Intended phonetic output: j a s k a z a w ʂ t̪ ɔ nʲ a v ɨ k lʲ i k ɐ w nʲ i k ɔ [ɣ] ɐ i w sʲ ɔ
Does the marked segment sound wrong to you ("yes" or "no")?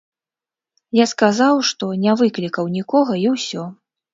no